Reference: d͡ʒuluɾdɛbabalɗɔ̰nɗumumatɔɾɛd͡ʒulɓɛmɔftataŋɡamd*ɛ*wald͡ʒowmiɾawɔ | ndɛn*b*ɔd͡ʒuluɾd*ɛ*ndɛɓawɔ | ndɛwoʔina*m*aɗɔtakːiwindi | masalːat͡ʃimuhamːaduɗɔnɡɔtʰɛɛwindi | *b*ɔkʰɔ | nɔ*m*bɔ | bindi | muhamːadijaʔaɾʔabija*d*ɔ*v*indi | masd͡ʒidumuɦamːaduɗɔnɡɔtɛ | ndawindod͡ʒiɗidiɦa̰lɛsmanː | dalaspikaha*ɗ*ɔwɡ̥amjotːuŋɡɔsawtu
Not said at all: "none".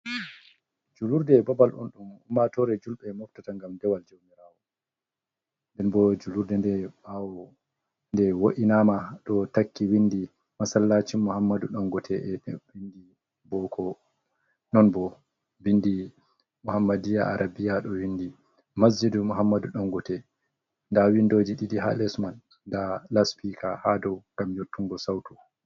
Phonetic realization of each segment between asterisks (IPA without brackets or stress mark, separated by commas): ɛ, b, ɛ, m, b, n, ɗ, w, d